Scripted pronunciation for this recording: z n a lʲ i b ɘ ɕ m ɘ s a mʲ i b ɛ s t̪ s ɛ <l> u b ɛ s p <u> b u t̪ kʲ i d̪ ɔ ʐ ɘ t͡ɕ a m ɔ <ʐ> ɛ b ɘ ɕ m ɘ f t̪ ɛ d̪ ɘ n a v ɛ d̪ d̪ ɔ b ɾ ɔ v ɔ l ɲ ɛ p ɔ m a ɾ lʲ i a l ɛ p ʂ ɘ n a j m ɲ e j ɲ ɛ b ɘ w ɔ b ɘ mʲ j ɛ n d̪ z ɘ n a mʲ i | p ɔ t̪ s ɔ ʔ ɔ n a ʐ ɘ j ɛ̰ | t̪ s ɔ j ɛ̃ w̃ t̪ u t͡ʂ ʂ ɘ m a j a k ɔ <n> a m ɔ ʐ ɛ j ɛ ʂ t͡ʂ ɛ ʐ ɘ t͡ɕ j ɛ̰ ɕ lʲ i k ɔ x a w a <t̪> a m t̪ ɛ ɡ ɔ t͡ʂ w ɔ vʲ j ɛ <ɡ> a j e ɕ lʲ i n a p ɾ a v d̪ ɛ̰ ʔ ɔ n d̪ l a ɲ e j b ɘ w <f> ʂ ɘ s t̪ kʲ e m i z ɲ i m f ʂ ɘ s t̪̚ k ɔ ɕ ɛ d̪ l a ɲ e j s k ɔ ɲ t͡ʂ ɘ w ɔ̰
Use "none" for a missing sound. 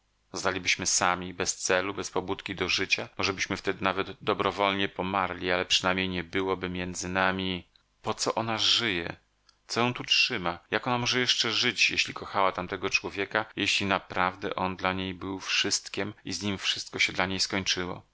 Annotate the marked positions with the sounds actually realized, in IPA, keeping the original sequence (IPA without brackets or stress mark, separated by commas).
l, ɔ, ʐ, n, t̪, k, f